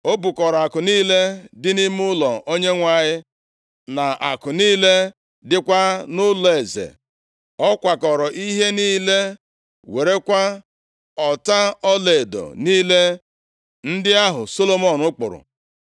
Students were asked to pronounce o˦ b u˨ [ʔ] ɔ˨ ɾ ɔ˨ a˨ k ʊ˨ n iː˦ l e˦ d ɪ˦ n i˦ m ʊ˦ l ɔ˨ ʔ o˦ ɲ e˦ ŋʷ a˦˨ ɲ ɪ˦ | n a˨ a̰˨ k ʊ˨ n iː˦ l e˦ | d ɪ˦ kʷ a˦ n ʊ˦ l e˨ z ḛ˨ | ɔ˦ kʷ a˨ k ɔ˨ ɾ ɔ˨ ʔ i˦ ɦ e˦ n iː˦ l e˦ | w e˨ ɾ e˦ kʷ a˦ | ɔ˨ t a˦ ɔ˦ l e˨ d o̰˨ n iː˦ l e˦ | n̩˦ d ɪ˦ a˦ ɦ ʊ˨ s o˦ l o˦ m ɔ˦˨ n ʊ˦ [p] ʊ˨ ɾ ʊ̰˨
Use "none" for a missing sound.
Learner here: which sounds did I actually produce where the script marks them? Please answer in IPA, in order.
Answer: k, k͡p

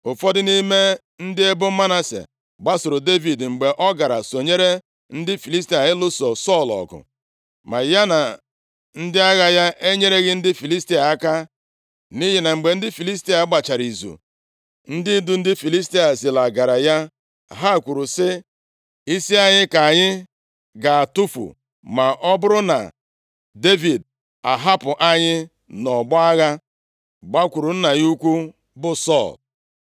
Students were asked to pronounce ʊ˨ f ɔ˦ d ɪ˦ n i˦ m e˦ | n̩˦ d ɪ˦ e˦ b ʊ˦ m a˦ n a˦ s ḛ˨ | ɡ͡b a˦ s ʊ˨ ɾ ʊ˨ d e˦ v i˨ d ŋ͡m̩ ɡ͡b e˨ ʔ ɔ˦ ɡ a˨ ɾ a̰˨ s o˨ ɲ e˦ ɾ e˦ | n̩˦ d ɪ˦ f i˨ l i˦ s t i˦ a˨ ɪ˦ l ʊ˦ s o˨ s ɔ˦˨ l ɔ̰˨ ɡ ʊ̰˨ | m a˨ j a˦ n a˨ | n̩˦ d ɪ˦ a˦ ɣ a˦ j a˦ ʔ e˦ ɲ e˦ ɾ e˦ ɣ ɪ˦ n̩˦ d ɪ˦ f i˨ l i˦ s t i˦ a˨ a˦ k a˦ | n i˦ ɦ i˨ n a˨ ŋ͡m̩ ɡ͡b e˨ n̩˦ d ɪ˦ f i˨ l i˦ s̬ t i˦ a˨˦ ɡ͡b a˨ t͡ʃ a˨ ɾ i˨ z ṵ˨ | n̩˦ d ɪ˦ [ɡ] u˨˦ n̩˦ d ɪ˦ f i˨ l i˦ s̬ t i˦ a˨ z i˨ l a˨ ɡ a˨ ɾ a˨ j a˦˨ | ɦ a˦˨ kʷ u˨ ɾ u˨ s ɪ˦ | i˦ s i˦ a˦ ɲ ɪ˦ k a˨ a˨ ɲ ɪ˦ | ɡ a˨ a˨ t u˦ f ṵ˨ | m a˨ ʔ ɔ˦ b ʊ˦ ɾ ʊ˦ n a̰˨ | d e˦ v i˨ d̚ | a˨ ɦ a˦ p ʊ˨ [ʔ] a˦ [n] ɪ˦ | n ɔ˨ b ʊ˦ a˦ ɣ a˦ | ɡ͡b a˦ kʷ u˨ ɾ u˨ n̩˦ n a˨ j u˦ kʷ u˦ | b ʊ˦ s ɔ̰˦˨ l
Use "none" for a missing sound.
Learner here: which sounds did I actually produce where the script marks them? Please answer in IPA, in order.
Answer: d, ʔ, ɲ

